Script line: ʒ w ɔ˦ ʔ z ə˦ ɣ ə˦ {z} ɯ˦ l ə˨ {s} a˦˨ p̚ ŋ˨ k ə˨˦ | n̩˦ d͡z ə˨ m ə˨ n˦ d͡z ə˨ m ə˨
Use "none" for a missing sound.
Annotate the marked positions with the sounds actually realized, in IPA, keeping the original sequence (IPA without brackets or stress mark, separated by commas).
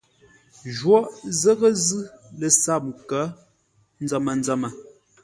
z, s